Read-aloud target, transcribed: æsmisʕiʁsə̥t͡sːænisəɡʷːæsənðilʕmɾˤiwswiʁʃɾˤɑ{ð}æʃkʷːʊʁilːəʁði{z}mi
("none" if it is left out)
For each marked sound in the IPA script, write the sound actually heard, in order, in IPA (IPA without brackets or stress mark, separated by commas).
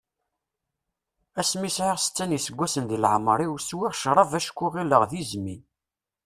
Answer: v, z